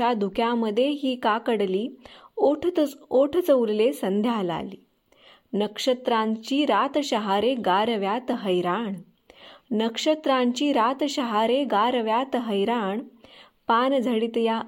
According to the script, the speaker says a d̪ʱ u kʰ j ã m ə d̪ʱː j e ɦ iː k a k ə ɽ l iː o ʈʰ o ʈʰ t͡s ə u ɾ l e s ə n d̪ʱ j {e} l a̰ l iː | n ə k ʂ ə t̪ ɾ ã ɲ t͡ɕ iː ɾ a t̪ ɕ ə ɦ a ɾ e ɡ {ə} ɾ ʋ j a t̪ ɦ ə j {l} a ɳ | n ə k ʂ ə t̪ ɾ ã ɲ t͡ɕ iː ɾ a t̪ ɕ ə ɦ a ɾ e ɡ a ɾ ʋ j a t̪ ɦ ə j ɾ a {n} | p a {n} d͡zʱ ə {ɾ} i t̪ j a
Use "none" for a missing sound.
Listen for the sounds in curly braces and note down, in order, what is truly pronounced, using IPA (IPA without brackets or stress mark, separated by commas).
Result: a, a, ɾ, ɳ, n, ɽ